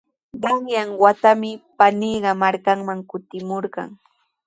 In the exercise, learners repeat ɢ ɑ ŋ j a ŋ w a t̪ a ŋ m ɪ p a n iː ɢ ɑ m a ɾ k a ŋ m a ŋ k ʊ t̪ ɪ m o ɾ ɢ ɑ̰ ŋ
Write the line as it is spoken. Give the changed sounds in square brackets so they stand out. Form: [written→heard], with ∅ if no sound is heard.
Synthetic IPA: ɢ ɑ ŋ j a ŋ w a t̪ a [ŋ→∅] m ɪ p a n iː ɢ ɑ m a ɾ k a ŋ m a ŋ k ʊ t̪ ɪ m o ɾ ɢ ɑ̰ ŋ